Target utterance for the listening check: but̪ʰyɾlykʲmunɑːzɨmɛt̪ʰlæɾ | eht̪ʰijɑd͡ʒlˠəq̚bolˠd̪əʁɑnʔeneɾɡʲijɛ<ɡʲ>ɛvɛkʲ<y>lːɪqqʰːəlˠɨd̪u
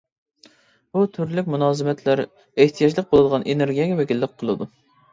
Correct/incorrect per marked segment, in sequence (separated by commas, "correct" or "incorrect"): correct, incorrect